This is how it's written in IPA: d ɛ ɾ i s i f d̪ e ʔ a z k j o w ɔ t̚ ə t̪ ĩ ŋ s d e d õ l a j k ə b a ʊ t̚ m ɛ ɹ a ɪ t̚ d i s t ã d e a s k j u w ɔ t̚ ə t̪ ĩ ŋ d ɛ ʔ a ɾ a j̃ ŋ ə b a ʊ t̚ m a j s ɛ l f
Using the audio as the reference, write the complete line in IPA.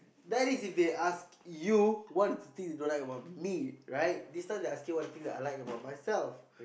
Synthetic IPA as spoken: d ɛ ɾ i s i f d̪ e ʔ a s k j u w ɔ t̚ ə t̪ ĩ ŋ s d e d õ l a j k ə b a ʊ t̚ m i ɹ a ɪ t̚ d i s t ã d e a s k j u w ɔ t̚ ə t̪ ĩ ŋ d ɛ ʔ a l a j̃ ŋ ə b a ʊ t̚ m a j s ɛ l f